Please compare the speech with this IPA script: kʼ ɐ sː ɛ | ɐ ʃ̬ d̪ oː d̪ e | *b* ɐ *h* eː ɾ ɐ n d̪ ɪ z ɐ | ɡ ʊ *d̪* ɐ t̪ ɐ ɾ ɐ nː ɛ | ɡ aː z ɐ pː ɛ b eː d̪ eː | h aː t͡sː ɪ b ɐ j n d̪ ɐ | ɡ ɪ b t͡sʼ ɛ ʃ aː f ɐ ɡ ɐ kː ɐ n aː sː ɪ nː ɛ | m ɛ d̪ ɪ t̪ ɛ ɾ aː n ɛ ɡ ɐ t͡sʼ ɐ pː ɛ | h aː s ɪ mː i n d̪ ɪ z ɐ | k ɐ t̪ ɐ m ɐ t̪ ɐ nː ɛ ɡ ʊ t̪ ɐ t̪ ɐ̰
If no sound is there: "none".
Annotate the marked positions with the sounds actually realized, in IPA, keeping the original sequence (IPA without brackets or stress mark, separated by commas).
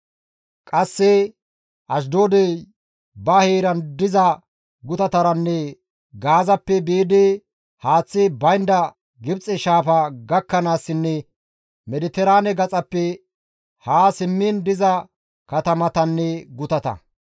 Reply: b, h, t̪